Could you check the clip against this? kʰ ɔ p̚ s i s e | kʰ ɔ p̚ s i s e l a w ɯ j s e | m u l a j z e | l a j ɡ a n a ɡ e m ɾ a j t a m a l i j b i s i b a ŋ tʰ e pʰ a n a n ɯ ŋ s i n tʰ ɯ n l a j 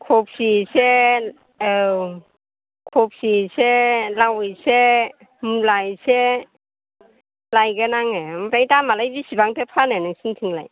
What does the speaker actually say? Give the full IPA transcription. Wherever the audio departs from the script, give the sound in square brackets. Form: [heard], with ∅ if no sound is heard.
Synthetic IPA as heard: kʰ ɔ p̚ s i s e | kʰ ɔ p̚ s i s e l a w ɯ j s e | m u l a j [s] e | l a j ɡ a n a [ŋ] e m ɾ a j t a m a l [a] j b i s i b a ŋ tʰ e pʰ a n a n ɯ ŋ s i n tʰ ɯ [ŋ] l a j